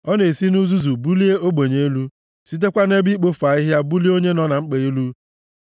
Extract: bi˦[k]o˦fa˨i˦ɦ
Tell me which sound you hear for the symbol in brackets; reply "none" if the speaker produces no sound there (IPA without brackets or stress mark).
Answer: k͡p